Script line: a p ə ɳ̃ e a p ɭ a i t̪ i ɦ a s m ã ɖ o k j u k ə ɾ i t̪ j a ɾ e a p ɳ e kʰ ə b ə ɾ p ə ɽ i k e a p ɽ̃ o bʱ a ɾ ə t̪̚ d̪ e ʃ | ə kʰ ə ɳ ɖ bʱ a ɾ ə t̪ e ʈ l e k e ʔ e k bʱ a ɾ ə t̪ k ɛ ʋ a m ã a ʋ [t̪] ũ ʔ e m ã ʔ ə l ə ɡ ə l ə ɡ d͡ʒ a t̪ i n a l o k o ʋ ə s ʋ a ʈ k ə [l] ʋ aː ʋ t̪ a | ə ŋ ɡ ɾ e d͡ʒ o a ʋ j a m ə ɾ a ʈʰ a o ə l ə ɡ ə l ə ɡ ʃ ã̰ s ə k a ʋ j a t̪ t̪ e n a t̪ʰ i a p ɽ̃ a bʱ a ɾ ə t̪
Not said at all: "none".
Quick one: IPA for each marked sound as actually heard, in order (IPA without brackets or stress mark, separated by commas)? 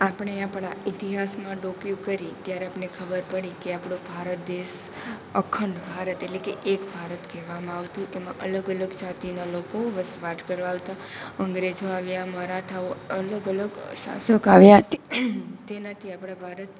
t̪, ɾ